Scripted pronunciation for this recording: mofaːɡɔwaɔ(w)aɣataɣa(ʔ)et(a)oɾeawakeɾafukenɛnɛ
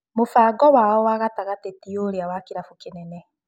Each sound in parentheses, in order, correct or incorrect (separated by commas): correct, incorrect, incorrect